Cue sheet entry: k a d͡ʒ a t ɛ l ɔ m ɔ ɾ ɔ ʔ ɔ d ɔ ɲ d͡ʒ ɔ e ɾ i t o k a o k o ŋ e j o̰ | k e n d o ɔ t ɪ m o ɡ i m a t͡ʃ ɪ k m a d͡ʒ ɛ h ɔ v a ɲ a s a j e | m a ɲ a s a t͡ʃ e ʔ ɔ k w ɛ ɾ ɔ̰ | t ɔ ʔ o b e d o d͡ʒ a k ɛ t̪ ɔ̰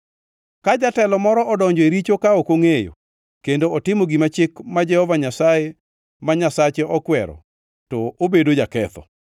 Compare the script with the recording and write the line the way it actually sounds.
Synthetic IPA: k a d͡ʒ a t ɛ l ɔ m ɔ ɾ ɔ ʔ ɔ d ɔ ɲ d͡ʒ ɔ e ɾ i t͡ʃ o k a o k o ŋ e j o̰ | k e n d o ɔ t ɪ m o ɡ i m a t͡ʃ ɪ k m a d͡ʒ ɛ h ɔ v a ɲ a s a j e | m a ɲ a s a t͡ʃ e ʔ ɔ k w ɛ ɾ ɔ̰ | t ɔ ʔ o b e d o d͡ʒ a k ɛ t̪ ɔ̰